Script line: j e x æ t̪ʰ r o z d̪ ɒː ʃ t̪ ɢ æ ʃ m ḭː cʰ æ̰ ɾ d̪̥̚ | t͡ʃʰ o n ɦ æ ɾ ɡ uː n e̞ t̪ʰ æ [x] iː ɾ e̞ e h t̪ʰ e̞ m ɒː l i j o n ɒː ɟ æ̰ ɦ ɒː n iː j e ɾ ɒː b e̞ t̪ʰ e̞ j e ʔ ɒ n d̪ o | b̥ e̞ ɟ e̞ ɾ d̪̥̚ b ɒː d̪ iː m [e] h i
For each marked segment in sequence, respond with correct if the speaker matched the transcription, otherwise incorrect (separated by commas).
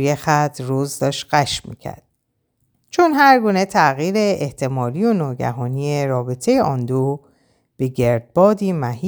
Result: incorrect, incorrect